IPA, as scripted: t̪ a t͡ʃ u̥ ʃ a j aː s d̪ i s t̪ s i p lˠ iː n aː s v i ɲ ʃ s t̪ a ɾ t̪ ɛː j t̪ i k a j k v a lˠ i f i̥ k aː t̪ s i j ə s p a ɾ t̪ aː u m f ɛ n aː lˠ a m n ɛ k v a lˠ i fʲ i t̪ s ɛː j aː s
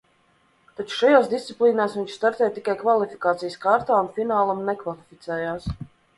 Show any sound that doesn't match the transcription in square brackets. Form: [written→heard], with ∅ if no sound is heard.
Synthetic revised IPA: t̪ a t͡ʃ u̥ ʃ a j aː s d̪ i s t̪ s i p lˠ iː n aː s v i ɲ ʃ s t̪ a ɾ t̪ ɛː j t̪ i k a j k v a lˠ i f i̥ k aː t̪ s i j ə s [p→k] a ɾ t̪ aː u [m→n] f [ɛ→i] n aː lˠ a m n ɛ k v a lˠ i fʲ i t̪ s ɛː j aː s